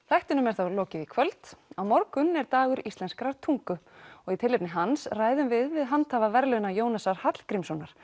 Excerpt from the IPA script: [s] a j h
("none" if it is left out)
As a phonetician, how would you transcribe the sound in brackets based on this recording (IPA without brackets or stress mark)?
θ